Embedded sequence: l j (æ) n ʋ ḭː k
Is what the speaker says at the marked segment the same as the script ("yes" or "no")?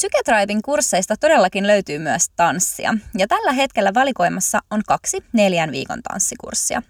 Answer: yes